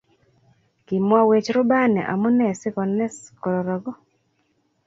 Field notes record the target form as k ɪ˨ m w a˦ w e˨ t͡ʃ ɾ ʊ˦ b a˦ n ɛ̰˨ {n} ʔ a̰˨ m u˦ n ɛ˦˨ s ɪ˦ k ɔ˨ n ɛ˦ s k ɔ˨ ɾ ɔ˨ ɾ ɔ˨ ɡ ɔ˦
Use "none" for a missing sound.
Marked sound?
none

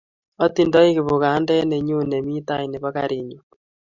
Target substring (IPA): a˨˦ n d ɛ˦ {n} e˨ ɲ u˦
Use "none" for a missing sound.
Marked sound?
n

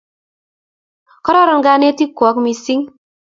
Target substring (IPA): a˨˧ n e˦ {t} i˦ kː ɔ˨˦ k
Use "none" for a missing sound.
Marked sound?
t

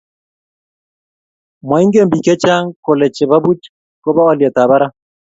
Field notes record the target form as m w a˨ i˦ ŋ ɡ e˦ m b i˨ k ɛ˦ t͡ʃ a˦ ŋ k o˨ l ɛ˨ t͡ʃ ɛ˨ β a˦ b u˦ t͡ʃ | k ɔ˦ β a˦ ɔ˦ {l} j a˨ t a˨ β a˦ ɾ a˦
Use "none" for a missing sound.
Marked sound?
l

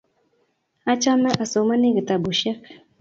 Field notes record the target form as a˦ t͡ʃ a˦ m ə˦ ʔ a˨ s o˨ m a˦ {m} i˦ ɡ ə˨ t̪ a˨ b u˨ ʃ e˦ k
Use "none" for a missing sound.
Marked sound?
n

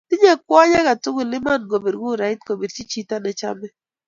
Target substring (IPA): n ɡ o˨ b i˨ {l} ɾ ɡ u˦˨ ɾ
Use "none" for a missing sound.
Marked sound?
none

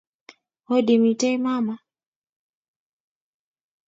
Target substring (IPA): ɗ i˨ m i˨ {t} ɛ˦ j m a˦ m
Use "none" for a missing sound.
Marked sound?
t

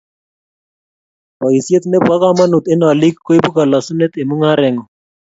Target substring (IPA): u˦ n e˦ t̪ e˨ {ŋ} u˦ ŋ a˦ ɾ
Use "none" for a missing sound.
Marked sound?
m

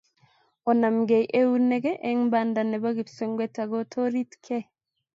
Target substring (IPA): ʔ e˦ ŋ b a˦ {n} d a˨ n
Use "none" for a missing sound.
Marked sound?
n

